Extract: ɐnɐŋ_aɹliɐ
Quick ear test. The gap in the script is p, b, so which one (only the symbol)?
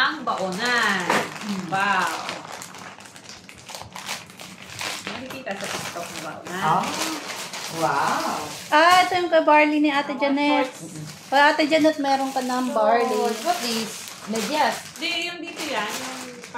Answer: b